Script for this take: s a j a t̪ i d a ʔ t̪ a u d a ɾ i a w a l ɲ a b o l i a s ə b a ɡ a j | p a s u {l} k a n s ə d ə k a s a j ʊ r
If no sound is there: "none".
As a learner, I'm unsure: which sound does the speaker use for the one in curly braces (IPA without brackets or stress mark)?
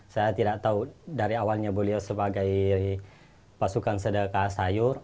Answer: none